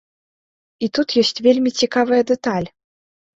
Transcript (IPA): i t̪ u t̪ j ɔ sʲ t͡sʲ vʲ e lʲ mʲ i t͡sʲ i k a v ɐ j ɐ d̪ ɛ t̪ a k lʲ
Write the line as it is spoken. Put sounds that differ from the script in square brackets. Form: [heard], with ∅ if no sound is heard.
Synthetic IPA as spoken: i t̪ u t̪ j ɔ sʲ t͡sʲ vʲ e lʲ mʲ i t͡sʲ i k a v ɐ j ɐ d̪ ɛ t̪ a [∅] lʲ

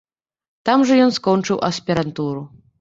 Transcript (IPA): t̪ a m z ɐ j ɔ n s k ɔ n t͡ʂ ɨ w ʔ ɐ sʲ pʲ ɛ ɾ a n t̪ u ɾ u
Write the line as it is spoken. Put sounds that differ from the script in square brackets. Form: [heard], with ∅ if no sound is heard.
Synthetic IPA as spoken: t̪ a m [ʐ] ɐ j ɔ n s k ɔ n t͡ʂ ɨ w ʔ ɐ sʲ pʲ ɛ ɾ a n t̪ u ɾ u

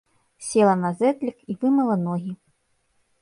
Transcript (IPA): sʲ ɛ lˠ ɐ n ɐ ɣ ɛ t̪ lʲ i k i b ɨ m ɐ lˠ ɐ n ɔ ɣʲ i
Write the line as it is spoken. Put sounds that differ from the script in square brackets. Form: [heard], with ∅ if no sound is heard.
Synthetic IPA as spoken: sʲ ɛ lˠ ɐ n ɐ [z] ɛ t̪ lʲ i k i [v] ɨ m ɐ lˠ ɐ n ɔ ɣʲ i

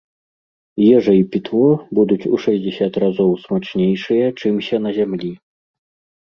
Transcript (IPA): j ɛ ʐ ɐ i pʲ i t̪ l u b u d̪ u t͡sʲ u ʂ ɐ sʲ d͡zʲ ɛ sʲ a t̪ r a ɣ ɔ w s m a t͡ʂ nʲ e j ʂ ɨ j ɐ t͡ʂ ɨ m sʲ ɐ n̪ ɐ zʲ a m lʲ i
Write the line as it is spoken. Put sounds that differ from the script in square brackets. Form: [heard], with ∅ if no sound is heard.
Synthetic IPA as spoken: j ɛ ʐ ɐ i pʲ i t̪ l [ɔ] b u d̪ u t͡sʲ u ʂ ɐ [zʲ] d͡zʲ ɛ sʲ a t̪ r a [z] ɔ w s m a t͡ʂ nʲ e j ʂ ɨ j ɐ t͡ʂ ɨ m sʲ ɐ n̪ ɐ zʲ a m lʲ i

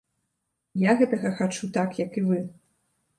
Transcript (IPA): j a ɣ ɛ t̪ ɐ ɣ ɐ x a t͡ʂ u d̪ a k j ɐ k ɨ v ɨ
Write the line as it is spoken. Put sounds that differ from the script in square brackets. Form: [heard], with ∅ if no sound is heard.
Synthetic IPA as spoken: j a ɣ ɛ t̪ ɐ ɣ ɐ x a t͡ʂ u [t̪] a k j ɐ k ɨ v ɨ

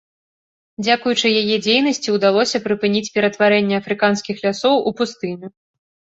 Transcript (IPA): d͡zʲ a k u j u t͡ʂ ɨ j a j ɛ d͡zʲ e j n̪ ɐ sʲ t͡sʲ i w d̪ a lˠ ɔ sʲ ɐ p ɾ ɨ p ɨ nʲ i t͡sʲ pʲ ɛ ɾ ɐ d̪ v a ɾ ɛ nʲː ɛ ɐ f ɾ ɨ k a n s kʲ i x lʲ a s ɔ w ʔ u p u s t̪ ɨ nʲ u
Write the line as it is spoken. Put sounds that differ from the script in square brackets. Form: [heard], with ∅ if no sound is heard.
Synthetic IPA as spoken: d͡zʲ a k u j u t͡ʂ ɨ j a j ɛ d͡zʲ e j n̪ ɐ sʲ t͡sʲ i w d̪ a lˠ ɔ sʲ ɐ p ɾ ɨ p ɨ nʲ i t͡sʲ pʲ ɛ ɾ ɐ [t̪] v a ɾ ɛ nʲː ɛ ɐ f ɾ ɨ k a n s kʲ i x lʲ a s ɔ w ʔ u p u s t̪ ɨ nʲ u

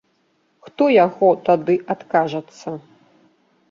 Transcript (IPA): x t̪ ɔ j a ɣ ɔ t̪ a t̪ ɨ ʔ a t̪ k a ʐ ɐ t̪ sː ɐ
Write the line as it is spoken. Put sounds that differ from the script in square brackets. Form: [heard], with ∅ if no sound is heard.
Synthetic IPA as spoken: x t̪ ɔ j a ɣ ɔ t̪ a [d̪] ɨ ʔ a t̪ k a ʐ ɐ t̪ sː ɐ

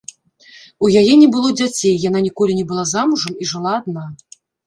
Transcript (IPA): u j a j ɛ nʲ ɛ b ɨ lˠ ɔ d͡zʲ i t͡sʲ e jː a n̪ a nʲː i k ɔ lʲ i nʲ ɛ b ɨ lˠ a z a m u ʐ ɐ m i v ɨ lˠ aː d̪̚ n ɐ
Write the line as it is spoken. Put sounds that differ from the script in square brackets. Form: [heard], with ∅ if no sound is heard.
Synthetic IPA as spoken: u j a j ɛ nʲ ɛ b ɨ lˠ ɔ d͡zʲ [a] t͡sʲ e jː a n̪ a [nʲ] i k ɔ lʲ i nʲ ɛ b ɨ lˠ a z a m u ʐ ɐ m i [ʐ] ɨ lˠ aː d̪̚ n [a]

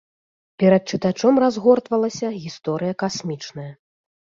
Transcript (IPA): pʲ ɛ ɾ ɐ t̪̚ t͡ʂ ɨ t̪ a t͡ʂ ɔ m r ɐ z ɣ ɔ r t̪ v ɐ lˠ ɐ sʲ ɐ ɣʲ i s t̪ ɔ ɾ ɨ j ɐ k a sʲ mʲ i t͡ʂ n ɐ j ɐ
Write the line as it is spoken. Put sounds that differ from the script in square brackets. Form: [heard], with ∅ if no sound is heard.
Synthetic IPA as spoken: pʲ ɛ ɾ ɐ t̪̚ t͡ʂ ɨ t̪ a t͡ʂ ɔ m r [a] z ɣ ɔ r t̪ v ɐ lˠ ɐ sʲ ɐ ɣʲ i s t̪ ɔ ɾ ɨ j ɐ k a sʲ mʲ i t͡ʂ n ɐ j ɐ

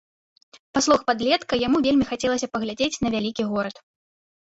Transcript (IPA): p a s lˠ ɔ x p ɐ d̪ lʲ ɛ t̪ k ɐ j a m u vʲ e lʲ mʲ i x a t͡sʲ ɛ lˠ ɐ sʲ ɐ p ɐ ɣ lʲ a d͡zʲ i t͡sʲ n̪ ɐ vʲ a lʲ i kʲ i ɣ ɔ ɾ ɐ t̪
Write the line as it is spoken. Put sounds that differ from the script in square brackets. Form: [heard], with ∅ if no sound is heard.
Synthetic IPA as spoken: p a s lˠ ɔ x p [a] d̪ lʲ ɛ t̪ k ɐ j a m u vʲ e lʲ mʲ i x a t͡sʲ ɛ lˠ ɐ sʲ ɐ p ɐ ɣ lʲ a d͡zʲ [e] t͡sʲ n̪ ɐ vʲ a lʲ i kʲ i ɣ ɔ ɾ ɐ t̪

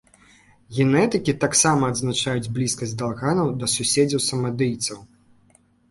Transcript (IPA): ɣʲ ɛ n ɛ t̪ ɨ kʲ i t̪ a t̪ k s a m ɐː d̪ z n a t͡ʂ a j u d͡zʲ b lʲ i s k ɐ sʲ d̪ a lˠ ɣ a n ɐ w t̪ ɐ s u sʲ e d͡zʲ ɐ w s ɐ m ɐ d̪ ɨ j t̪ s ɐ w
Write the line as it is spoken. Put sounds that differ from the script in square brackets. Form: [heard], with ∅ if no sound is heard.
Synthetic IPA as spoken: ɣʲ ɛ n ɛ t̪ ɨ kʲ i t̪ a [∅] k s a m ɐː d̪ z n a t͡ʂ a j u d͡zʲ b lʲ i s k ɐ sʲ d̪ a lˠ ɣ a n ɐ w [d̪] ɐ s u sʲ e d͡zʲ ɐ w s ɐ m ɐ d̪ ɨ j t̪ s ɐ w

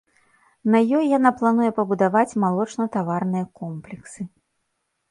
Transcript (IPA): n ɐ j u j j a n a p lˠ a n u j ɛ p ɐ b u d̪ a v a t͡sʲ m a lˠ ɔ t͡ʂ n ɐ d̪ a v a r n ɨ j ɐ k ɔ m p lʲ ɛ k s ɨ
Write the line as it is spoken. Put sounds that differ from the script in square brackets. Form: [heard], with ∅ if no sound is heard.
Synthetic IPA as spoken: n ɐ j [ɔ] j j a n a p lˠ a n u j ɛ p ɐ b u d̪ a v a t͡sʲ m a lˠ ɔ t͡ʂ n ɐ [t̪] a v a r n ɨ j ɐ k ɔ m p lʲ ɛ k s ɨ

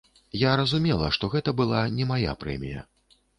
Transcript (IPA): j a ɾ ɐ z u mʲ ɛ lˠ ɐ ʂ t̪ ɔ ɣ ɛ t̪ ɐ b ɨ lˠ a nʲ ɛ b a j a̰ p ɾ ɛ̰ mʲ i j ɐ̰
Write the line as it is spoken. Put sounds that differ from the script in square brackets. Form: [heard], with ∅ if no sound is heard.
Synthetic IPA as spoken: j a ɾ ɐ z u mʲ ɛ lˠ ɐ ʂ t̪ ɔ ɣ ɛ t̪ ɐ b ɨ lˠ a nʲ ɛ [m] a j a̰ p ɾ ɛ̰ mʲ i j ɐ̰

